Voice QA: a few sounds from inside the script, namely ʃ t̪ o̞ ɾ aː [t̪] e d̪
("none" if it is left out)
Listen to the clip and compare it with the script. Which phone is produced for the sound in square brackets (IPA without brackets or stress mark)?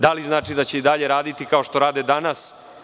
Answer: d̪